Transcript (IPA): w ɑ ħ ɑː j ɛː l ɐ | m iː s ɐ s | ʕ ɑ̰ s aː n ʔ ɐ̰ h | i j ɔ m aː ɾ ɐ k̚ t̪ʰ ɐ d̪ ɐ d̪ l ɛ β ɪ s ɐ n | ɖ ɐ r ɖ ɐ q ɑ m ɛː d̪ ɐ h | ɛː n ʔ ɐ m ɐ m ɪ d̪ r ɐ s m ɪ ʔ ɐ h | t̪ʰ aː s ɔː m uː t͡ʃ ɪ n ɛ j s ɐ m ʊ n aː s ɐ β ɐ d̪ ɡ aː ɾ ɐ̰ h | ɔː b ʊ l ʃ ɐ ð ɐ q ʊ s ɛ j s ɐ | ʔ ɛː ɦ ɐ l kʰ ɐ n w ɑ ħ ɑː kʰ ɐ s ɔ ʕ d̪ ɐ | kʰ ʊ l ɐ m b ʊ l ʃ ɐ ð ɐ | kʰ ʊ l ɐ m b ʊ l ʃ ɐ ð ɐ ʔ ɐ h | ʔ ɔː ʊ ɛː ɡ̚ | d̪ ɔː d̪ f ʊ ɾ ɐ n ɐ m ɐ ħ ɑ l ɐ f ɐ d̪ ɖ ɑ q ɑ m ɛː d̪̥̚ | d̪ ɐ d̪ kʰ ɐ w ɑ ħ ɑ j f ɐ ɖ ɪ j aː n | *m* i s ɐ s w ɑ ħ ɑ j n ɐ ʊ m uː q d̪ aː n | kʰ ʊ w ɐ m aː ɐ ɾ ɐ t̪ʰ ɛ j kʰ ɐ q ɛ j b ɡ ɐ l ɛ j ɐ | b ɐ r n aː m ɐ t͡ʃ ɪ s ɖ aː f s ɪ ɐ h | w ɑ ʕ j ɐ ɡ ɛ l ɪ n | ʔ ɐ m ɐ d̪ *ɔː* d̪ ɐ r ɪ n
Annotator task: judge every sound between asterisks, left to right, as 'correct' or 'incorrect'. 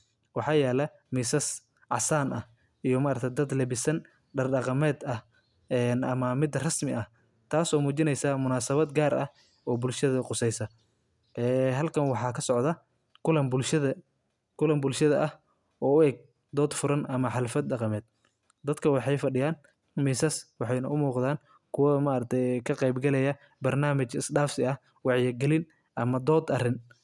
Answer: correct, correct

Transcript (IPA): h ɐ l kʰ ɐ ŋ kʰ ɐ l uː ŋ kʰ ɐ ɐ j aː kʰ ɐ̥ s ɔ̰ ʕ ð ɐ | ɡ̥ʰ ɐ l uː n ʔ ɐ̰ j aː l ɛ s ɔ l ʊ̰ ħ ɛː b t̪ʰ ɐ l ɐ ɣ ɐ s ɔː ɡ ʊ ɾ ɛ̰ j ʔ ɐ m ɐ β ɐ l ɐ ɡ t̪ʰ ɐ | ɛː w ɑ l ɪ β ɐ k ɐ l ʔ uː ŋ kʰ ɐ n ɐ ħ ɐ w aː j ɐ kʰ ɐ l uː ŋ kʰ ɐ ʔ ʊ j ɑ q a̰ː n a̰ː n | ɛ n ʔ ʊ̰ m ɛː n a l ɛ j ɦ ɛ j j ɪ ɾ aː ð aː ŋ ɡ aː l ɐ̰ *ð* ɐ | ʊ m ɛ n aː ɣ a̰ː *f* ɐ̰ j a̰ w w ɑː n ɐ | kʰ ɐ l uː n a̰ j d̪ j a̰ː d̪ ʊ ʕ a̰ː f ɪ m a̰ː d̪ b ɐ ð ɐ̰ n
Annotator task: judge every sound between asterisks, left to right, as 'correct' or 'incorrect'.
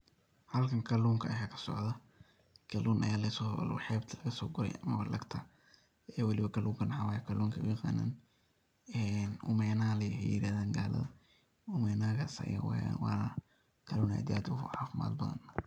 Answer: correct, incorrect: s

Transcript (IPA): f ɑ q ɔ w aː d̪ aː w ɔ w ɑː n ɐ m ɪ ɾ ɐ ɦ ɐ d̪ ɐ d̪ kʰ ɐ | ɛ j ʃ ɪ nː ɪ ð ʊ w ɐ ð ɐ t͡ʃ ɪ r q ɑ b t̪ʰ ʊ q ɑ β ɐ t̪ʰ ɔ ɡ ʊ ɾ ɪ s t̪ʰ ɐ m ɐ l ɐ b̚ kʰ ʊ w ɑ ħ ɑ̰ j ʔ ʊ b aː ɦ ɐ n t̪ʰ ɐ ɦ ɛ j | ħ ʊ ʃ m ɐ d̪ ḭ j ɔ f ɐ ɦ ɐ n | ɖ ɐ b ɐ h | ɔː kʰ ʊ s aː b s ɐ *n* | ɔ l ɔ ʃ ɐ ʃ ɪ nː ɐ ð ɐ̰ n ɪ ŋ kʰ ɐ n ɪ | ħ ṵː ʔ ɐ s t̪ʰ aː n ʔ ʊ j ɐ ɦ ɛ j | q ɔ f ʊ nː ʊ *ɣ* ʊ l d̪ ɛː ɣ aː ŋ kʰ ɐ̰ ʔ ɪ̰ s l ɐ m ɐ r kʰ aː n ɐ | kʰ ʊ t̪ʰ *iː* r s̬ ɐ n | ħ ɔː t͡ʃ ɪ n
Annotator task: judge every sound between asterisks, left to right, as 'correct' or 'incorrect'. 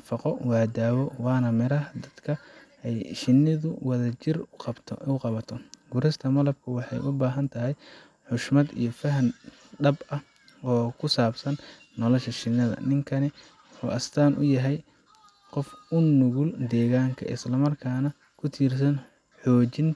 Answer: incorrect: nː, correct, correct

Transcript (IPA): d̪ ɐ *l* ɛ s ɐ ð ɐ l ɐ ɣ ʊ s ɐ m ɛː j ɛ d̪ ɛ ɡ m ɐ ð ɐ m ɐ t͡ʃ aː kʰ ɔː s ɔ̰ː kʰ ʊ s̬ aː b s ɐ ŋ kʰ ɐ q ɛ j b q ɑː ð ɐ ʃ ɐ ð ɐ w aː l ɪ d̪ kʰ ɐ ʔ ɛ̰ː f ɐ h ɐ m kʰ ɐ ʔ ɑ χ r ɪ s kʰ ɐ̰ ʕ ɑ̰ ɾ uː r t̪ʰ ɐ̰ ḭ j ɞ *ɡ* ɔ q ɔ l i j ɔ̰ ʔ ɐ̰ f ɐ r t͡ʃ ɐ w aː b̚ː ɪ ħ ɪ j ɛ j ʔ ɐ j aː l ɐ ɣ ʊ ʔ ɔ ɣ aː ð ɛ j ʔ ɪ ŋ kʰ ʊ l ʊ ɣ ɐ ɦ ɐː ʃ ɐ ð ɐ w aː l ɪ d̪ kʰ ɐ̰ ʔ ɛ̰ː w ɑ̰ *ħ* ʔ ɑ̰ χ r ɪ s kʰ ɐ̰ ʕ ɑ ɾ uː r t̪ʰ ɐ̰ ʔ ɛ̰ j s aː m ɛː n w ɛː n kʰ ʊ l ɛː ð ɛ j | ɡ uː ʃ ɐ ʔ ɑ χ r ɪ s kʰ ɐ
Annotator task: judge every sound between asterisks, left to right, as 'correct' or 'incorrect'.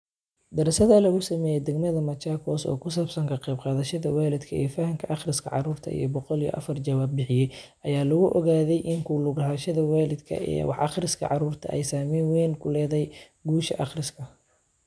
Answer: incorrect: ɾ, incorrect: b, correct

